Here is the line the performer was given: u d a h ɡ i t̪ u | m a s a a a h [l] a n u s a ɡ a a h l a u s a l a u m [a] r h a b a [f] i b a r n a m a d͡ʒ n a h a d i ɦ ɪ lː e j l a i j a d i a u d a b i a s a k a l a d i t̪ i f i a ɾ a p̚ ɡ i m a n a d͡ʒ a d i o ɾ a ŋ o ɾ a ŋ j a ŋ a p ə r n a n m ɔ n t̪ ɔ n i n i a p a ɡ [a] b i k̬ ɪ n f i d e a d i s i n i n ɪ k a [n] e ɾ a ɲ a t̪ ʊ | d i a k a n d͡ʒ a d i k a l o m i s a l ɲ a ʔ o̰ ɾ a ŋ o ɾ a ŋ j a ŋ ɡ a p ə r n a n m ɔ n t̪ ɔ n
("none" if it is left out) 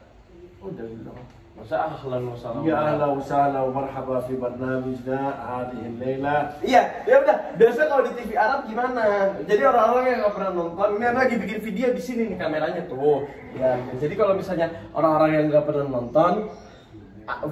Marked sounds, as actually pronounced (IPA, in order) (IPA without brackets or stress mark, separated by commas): l, a, f, i, m